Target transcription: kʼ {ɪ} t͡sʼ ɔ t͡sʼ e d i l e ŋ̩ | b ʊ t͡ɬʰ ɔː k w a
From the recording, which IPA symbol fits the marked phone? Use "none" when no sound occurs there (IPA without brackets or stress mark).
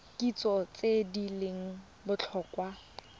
i